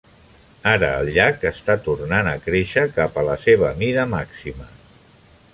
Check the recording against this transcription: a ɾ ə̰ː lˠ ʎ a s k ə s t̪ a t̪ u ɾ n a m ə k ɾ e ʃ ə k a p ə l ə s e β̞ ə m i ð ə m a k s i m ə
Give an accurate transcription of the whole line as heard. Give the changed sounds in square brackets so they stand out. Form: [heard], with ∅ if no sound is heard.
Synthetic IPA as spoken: a ɾ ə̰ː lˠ ʎ a [∅] k ə s t̪ a t̪ u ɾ n a [n] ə k ɾ e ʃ ə k a p ə l ə s e β̞ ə m i ð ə m a k s i m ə